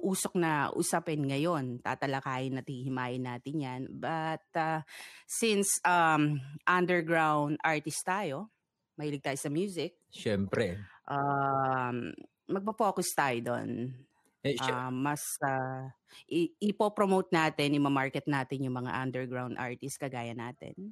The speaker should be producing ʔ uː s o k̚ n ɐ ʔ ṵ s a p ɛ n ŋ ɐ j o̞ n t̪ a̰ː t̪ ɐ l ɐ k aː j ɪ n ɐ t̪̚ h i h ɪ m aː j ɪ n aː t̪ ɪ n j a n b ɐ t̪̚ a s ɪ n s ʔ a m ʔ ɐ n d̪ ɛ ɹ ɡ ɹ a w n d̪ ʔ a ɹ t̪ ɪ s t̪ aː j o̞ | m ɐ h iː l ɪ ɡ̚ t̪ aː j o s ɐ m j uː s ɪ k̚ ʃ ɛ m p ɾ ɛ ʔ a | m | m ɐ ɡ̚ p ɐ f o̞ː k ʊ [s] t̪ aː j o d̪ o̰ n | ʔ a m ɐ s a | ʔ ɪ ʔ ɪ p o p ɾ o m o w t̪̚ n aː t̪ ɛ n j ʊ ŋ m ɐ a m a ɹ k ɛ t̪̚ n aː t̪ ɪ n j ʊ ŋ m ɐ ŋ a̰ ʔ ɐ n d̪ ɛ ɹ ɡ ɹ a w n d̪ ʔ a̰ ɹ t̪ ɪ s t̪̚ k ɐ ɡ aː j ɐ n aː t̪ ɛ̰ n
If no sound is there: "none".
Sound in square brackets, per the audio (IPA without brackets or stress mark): s